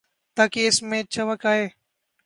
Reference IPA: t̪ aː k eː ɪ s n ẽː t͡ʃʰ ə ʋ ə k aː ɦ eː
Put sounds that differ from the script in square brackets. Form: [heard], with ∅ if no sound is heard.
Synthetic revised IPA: t̪ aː k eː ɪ s [m] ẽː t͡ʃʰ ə ʋ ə k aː ɦ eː